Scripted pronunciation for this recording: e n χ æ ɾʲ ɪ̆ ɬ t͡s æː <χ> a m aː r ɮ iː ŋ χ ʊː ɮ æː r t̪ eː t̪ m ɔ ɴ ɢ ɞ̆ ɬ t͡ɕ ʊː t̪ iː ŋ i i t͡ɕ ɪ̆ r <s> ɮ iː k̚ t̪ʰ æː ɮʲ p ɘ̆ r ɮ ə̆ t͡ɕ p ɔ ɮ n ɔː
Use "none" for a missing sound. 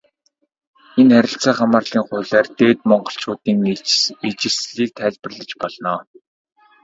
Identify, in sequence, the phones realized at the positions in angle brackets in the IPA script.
χ, s

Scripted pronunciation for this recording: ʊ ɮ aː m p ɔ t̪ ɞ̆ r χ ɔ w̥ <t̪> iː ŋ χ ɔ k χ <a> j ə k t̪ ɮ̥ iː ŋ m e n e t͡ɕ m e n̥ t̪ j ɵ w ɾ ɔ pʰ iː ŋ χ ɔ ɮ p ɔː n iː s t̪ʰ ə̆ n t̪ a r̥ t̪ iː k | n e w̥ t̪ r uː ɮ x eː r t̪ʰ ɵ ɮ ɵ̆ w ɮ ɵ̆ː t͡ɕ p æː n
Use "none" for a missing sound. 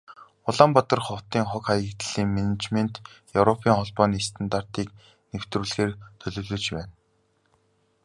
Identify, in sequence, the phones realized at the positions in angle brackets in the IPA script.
t̪, a

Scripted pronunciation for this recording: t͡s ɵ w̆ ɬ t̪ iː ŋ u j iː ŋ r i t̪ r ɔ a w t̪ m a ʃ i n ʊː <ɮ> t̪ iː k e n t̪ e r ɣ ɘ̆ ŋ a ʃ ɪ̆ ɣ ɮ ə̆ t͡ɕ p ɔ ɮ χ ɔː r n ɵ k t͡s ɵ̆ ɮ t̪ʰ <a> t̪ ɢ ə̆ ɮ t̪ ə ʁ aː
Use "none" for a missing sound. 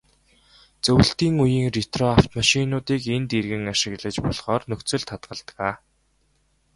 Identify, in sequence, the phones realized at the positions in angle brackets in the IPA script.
none, a

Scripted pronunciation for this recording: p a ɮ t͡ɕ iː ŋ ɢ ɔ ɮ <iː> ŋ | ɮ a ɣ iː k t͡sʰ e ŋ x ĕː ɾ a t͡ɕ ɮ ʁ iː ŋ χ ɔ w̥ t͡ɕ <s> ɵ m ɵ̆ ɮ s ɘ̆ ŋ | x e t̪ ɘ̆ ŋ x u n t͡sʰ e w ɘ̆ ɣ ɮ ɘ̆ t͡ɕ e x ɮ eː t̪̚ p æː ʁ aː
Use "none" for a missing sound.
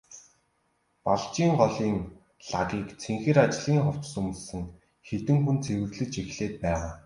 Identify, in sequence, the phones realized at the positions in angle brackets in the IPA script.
iː, s

